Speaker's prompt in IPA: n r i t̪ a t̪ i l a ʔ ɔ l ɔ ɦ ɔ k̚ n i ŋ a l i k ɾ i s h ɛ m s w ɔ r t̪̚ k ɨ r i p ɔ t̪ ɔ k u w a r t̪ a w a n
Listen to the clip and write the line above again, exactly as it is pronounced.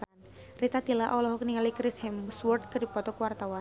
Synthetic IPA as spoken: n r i t̪ a t̪ i l a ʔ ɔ l ɔ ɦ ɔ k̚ n i ŋ a l i k ɾ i s h ɛ m s w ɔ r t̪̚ k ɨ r i p ɔ t̪ ɔ k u w a r t̪ a w a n